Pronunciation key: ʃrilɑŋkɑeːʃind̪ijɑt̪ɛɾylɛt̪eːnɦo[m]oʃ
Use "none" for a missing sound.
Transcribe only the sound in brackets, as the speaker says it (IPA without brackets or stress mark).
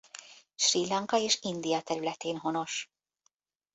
n